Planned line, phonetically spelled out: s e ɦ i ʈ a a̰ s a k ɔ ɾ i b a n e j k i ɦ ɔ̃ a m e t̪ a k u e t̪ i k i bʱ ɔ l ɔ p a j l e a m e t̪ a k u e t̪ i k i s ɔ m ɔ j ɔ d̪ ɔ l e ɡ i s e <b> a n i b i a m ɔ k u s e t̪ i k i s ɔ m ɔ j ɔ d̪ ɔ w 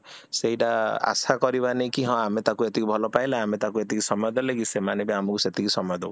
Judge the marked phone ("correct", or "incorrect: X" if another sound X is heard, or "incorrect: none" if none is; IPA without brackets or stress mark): incorrect: m